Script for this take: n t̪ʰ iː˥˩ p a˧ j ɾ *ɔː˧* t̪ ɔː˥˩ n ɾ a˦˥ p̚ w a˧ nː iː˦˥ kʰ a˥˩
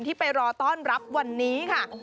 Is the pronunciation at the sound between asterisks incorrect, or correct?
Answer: correct